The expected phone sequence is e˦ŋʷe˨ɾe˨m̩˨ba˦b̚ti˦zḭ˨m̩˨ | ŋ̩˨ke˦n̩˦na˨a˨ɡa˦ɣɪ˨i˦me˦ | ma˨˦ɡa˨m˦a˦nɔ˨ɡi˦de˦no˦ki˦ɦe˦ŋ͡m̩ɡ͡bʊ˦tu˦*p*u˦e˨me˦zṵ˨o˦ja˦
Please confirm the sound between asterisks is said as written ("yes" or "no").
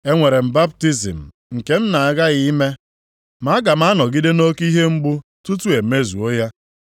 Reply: no